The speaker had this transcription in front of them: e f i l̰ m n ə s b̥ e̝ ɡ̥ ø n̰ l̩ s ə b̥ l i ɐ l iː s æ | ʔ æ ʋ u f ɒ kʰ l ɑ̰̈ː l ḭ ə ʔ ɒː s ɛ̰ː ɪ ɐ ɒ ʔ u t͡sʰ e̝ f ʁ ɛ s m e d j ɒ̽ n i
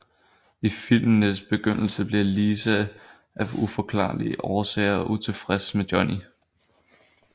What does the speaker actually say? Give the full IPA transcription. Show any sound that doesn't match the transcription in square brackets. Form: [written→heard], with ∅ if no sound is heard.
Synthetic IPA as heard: [e→i] f i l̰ m n ə s b̥ e̝ ɡ̥ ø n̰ l̩ s ə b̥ l i ɐ l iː s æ | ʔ æ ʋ u f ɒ kʰ l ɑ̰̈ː l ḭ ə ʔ ɒː s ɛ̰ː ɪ ɐ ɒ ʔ u t͡sʰ e̝ f ʁ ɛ s m e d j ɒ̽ n i

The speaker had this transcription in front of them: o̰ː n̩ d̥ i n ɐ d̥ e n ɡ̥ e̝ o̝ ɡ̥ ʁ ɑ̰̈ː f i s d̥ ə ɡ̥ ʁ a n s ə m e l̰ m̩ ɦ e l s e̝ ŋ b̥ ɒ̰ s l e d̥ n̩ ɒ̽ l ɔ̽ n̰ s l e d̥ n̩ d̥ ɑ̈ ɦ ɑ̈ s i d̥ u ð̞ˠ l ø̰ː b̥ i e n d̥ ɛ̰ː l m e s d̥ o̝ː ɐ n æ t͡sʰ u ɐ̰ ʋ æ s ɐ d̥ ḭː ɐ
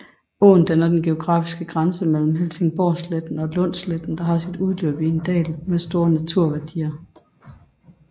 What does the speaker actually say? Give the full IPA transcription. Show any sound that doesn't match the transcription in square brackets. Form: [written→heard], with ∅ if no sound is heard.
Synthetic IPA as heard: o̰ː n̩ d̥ [i→æ] n ɐ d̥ e n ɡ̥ e̝ o̝ ɡ̥ ʁ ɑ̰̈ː f i s [d̥→ɡ̥] ə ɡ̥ ʁ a n s ə m e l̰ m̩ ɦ e l s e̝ ŋ b̥ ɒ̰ s l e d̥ n̩ ɒ̽ l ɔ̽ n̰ s l e d̥ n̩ d̥ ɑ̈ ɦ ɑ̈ s i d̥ u ð̞ˠ l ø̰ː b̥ i e n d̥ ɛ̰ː l m e s d̥ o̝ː ɐ n æ t͡sʰ u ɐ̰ ʋ æ [s→∅] ɐ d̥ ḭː ɐ

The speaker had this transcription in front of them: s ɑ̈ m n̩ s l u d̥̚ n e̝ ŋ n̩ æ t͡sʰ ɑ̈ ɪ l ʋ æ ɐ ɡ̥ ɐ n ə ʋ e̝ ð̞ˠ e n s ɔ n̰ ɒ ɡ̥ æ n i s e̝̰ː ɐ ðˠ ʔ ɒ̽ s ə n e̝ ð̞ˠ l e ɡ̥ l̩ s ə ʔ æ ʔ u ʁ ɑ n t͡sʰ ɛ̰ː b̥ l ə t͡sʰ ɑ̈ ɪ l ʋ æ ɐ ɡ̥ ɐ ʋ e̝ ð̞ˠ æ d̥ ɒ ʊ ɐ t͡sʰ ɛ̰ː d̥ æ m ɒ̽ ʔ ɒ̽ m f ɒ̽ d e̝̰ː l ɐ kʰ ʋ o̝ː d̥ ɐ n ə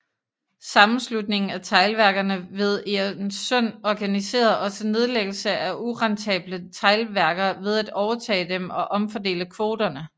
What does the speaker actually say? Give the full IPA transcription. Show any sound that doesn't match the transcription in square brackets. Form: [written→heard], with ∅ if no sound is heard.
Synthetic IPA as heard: s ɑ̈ m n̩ s l u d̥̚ n e̝ ŋ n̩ æ t͡sʰ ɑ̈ ɪ l ʋ æ ɐ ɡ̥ ɐ n ə ʋ e̝ ð̞ˠ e n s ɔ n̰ ɒ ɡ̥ æ n i s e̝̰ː ɐ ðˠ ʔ ɒ̽ s ə n e̝ ð̞ˠ l e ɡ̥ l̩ s ə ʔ æ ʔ u ʁ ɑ n t͡sʰ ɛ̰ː b̥ l ə t͡sʰ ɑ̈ ɪ l ʋ æ ɐ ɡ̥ ɐ ʋ e̝ ð̞ˠ æ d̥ ɒ ʊ ɐ t͡sʰ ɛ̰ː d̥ [æ→e] m ɒ̽ ʔ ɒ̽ m f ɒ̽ d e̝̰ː l [ɐ→ə] kʰ ʋ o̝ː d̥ ɐ n ə

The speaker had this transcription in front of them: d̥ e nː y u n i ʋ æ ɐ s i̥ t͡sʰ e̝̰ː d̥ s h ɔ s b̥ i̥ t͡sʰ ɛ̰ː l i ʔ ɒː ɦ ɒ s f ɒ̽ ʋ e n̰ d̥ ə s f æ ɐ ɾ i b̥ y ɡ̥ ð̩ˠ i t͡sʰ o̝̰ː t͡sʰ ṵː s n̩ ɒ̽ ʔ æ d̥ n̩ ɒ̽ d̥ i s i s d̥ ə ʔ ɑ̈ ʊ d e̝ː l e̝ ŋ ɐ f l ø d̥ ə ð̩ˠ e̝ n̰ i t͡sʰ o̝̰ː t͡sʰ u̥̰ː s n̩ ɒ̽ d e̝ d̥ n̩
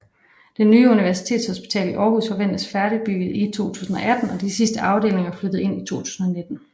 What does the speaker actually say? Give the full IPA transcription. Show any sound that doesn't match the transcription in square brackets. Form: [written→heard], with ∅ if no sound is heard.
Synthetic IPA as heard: d̥ e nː [y→yː] u n i ʋ æ ɐ s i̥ t͡sʰ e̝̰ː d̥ s h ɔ s b̥ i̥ t͡sʰ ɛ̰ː l i ʔ ɒː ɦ [ɒ→u] s f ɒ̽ ʋ e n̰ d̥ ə s f æ ɐ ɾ i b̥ y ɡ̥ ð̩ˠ i t͡sʰ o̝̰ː t͡sʰ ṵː s n̩ ɒ̽ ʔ æ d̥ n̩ ɒ̽ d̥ i s i s d̥ ə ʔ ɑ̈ ʊ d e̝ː l e̝ ŋ ɐ f l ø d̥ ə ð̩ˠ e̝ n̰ i t͡sʰ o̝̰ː t͡sʰ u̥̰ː s n̩ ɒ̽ [d→n] e̝ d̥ n̩

